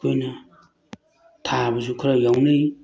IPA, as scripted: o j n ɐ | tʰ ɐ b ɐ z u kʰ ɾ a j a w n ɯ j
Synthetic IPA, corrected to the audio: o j n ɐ | tʰ a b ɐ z u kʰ ɾ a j a w n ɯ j